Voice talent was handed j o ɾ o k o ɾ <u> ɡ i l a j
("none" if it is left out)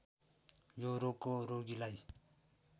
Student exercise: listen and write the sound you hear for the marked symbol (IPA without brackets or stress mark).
o